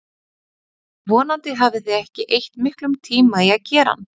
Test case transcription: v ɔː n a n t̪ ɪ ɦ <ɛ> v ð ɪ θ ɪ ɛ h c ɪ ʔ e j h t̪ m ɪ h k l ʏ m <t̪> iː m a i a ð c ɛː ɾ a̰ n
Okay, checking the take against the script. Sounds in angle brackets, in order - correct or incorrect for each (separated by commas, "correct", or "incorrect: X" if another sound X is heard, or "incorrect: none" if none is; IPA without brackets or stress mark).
incorrect: a, incorrect: t̪ʰ